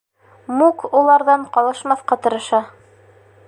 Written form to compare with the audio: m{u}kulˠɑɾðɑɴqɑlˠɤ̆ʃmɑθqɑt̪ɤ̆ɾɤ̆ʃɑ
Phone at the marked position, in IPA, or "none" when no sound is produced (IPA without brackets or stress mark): u